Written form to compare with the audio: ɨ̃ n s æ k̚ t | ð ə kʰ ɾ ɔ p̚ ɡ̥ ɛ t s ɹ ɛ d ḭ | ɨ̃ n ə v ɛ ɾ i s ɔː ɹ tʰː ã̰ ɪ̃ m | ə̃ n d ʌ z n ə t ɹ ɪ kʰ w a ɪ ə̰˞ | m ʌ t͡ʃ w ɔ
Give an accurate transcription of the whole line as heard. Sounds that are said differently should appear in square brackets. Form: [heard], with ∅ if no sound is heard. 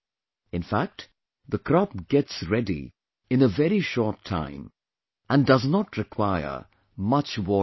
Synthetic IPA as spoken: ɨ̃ n [f] æ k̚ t | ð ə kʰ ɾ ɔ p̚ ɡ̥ ɛ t s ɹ ɛ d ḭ | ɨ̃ n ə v ɛ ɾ i [ʃ] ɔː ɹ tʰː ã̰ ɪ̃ m | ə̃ n d ʌ z n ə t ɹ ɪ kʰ w a ɪ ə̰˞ | m ʌ t͡ʃ w ɔ